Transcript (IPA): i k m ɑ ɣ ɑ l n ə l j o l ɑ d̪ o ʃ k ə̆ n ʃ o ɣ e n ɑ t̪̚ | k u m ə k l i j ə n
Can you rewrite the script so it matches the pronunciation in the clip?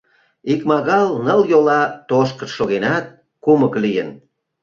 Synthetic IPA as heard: i k m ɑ ɣ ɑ l n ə l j o l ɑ t̪ o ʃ k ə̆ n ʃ o ɣ e n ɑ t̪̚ | k u m ə k l i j ə n